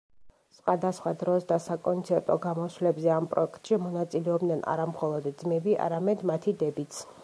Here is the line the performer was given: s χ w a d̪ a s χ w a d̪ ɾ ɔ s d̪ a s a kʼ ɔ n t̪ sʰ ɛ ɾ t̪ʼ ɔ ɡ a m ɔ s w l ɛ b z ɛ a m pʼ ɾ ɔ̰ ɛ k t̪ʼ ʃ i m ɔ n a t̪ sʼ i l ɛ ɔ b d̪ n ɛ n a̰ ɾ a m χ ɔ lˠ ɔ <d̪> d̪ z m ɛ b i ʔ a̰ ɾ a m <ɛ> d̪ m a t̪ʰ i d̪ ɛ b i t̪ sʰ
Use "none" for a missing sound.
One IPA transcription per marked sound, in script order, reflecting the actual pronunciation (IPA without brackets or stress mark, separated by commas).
d̪, ɛ